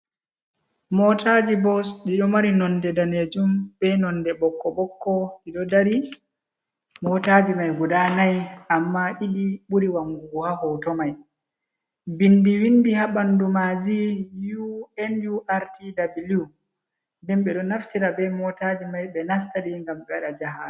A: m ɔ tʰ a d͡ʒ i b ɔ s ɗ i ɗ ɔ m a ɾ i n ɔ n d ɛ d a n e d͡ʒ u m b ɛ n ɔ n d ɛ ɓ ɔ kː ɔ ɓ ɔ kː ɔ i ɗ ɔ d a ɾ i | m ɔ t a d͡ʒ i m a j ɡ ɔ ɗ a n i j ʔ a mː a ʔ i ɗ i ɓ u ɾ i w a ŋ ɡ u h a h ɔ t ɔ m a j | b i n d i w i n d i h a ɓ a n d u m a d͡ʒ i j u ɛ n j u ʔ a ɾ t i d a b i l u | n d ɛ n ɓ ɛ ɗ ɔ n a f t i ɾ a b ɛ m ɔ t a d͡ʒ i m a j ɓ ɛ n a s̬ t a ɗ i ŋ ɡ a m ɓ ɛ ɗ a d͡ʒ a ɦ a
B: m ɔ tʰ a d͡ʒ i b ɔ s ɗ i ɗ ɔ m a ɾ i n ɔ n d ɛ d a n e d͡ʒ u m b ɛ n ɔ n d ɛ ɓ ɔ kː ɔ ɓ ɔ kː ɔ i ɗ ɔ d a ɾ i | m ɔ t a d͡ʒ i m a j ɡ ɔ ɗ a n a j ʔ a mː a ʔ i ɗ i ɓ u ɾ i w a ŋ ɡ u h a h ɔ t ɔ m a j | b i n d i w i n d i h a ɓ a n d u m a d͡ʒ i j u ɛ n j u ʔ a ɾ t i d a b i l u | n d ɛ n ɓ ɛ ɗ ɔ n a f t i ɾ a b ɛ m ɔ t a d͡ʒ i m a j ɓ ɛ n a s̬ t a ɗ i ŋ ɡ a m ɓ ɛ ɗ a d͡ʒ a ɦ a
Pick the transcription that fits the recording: B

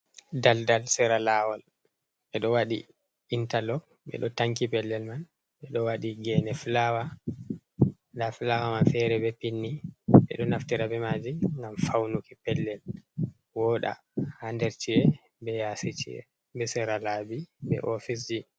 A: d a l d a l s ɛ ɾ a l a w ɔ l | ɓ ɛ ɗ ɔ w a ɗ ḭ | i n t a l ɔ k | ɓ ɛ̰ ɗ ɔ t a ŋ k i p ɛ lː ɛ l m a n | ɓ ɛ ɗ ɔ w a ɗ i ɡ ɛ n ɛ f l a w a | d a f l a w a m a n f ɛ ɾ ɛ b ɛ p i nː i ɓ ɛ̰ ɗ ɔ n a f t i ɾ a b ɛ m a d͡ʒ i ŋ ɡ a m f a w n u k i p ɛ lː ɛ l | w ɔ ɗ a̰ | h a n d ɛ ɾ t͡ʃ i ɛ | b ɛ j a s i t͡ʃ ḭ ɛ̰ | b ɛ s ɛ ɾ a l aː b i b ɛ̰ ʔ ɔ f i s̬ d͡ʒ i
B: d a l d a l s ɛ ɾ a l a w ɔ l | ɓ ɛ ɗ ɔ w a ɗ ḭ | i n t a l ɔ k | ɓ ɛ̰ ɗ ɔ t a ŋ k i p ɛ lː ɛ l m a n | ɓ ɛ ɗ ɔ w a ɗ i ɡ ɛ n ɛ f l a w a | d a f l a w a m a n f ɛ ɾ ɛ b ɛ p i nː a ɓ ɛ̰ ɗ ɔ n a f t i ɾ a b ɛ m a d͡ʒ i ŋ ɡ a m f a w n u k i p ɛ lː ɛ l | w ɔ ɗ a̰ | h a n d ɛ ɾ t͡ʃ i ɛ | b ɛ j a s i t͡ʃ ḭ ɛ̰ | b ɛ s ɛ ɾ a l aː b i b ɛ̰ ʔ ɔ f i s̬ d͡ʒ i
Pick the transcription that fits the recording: A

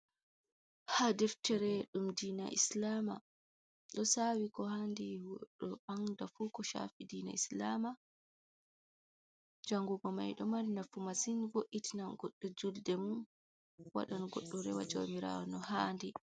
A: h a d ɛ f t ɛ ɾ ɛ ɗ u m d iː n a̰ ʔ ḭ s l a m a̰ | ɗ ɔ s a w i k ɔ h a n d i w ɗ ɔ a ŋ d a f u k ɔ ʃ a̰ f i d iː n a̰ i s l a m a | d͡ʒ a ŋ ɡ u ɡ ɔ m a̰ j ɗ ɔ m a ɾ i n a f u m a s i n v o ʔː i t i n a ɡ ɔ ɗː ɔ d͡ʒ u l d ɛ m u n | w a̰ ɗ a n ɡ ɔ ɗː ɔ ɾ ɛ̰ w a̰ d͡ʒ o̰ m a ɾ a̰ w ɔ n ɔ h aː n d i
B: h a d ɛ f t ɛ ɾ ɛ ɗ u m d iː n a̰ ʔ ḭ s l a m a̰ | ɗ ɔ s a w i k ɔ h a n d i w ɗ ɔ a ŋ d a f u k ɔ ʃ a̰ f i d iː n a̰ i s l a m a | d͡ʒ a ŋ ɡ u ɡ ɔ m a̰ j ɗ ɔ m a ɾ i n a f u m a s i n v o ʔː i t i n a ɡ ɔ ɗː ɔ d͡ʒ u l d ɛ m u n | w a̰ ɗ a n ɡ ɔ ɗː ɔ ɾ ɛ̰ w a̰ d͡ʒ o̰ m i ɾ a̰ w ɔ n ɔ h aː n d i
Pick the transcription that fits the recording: B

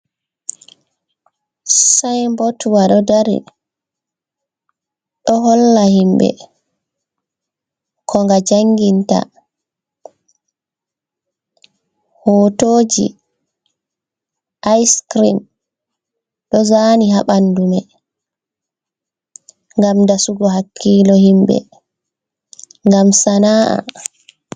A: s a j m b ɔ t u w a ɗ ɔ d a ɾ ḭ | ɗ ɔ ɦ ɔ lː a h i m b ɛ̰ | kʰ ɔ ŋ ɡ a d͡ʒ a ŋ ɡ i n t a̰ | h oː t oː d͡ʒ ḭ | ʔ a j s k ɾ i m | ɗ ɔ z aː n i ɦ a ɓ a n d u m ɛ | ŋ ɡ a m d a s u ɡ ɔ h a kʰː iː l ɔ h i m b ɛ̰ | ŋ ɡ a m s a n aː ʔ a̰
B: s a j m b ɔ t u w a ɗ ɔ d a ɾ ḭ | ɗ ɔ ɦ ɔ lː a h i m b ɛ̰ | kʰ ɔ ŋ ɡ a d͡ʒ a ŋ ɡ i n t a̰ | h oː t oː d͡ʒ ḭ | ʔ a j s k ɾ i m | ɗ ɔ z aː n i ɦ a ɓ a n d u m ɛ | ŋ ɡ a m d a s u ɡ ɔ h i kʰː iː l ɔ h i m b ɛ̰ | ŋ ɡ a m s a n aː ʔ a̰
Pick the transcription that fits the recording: A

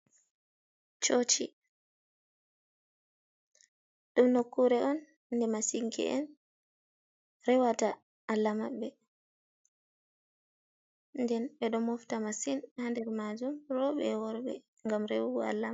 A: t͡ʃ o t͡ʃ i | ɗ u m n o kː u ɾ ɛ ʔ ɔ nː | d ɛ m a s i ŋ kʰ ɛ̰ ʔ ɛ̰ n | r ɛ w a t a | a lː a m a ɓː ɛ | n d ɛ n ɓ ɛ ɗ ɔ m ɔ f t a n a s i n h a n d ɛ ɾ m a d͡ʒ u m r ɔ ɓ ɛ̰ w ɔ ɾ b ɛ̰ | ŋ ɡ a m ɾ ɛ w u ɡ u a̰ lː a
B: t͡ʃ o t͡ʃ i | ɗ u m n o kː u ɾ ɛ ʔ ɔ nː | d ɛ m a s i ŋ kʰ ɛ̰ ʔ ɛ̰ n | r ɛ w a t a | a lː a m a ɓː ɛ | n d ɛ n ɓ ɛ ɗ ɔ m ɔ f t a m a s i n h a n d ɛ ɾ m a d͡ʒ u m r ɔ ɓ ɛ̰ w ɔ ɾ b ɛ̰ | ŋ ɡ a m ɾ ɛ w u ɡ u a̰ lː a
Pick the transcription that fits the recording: B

